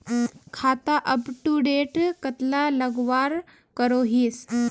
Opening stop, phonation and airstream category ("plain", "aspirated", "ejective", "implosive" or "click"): aspirated